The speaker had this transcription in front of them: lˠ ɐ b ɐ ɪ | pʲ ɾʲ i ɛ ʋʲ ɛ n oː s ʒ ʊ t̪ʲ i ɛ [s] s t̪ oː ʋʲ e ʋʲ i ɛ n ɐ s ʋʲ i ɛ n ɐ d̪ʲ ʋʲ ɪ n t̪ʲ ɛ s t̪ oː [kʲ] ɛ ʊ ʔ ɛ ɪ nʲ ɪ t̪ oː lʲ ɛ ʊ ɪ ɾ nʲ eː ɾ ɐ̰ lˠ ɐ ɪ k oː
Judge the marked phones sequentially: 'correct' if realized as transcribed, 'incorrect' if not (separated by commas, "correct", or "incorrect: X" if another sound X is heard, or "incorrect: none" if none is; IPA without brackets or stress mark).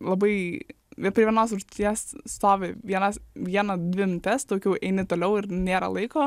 correct, correct